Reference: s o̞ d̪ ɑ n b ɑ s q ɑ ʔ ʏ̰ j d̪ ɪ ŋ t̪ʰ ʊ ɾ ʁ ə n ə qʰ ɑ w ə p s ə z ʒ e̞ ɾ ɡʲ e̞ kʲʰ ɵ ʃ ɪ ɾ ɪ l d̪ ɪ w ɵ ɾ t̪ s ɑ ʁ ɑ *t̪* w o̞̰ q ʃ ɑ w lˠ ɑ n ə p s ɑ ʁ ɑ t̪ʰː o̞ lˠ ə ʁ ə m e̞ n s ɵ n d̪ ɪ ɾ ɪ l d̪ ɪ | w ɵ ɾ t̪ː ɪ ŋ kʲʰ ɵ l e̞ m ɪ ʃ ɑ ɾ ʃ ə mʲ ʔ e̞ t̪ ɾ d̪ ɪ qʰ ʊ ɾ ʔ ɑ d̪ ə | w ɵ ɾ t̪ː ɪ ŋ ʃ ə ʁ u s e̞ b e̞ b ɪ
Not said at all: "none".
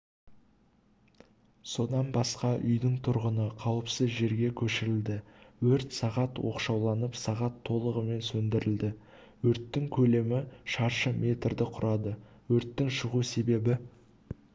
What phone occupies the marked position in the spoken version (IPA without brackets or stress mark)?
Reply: t̪